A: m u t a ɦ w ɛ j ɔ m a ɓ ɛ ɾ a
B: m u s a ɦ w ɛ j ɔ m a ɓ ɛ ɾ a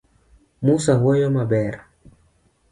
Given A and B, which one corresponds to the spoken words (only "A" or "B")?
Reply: B